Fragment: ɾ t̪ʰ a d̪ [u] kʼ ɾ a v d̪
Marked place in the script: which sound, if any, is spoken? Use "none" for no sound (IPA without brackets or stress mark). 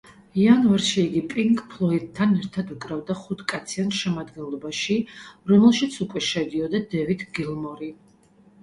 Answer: u